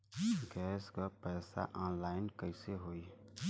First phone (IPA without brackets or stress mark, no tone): ɡ